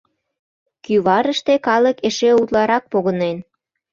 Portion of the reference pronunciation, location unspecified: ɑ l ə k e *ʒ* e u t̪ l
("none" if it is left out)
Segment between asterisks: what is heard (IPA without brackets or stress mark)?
ʃ